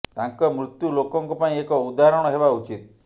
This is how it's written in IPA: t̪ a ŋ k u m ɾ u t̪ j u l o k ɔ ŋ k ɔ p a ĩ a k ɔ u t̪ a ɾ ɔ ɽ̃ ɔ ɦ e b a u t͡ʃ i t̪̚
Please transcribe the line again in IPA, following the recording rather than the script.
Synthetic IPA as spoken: t̪ a ŋ k ɔ m ɾ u t̪ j u l o k ɔ ŋ k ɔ p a ĩ e k ɔ u d̪ a ɾ ɔ ɽ̃ ɔ ɦ e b a u t͡ʃ i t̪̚